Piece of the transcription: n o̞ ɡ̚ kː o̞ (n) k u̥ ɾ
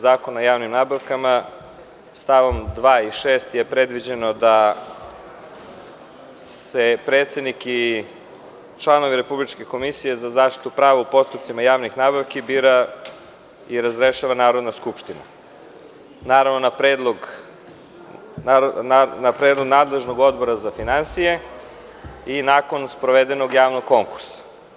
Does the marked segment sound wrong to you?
yes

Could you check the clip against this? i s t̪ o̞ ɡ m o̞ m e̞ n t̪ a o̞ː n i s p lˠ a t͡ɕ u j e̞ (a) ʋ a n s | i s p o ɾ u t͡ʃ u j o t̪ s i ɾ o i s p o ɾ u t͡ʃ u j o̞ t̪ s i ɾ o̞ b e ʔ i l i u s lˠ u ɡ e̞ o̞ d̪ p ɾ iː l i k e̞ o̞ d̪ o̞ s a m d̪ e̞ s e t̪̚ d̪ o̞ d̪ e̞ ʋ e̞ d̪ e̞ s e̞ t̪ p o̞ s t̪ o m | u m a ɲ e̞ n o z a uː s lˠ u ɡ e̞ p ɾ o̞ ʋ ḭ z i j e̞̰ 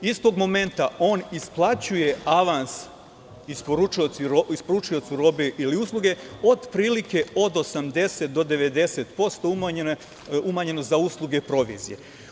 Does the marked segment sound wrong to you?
no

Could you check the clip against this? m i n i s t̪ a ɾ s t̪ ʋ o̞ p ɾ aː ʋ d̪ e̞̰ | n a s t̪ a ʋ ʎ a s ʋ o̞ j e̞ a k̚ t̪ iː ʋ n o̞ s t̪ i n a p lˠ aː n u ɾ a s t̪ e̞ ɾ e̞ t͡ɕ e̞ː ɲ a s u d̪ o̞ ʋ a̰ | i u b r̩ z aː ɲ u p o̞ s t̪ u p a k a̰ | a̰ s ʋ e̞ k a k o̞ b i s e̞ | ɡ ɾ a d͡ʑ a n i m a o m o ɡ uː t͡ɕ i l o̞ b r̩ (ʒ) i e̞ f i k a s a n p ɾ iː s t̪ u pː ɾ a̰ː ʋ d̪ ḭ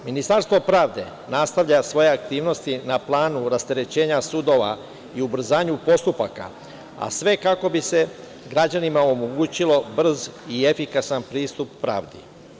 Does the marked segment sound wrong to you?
yes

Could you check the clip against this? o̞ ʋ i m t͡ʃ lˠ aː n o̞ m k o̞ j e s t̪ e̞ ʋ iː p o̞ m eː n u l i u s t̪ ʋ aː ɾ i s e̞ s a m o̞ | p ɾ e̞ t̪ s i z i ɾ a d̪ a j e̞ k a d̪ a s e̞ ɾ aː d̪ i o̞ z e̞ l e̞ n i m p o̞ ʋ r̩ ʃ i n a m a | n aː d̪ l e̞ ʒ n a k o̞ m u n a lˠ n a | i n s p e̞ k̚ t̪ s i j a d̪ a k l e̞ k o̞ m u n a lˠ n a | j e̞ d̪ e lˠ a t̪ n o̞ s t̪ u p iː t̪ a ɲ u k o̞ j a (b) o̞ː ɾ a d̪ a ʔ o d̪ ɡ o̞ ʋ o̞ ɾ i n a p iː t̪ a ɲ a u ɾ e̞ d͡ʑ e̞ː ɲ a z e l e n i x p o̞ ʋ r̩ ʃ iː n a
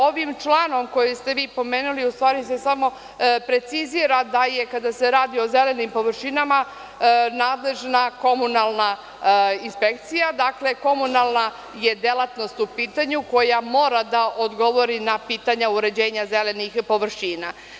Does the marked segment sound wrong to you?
yes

